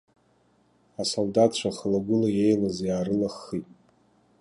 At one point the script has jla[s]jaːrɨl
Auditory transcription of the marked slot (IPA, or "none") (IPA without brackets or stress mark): z